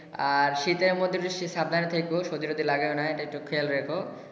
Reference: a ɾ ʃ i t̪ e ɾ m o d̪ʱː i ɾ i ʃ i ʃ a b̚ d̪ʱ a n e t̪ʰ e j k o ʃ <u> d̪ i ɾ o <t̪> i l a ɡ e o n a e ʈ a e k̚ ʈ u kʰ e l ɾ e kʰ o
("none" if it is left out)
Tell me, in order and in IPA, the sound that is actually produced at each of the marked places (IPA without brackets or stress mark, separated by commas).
o, d̪